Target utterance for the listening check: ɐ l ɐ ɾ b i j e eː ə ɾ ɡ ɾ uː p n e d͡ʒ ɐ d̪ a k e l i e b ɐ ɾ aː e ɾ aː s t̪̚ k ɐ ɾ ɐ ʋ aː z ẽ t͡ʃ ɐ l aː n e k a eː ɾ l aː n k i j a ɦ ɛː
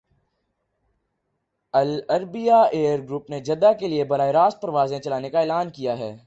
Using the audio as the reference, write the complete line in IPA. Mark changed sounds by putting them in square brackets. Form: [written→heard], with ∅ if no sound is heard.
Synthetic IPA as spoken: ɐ l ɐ ɾ b i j [e→a] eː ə ɾ ɡ ɾ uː p n e d͡ʒ ɐ d̪ a k e l i e b ɐ ɾ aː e ɾ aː s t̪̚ [k→p] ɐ ɾ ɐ ʋ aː z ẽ t͡ʃ ɐ l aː n e k a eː [ɾ→∅] l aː n k i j a ɦ ɛː